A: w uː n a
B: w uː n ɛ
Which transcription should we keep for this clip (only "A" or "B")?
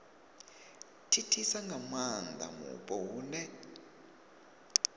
B